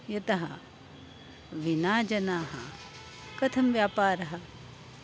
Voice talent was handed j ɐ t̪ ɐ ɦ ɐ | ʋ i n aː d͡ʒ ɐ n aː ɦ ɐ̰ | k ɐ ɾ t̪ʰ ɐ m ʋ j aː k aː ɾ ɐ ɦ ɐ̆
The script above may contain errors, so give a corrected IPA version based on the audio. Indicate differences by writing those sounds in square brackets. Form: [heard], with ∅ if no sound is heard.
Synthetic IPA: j ɐ t̪ ɐ ɦ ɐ | ʋ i n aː d͡ʒ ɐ n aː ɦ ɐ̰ | k ɐ [∅] t̪ʰ ɐ m ʋ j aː [p] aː ɾ ɐ ɦ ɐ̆